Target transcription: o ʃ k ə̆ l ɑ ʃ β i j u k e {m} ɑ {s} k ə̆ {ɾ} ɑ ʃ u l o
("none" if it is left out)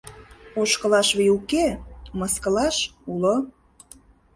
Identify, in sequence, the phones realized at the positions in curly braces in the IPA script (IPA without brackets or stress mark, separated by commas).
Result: m, s, l